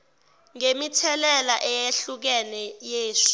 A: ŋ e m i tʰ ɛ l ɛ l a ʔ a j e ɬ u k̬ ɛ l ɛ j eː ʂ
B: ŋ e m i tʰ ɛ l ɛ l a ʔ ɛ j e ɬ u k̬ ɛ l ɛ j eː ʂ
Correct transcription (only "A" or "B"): B